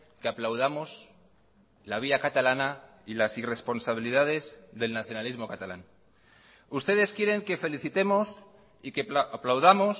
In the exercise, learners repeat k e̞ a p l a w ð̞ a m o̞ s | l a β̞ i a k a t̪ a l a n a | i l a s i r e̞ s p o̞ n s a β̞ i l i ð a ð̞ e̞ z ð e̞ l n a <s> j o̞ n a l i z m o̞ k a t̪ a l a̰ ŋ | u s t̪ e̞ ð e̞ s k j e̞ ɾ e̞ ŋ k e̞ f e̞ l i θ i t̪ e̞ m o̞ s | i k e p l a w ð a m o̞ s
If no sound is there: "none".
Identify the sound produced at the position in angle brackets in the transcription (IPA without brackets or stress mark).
θ